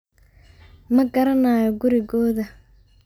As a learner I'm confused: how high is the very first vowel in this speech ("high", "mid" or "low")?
low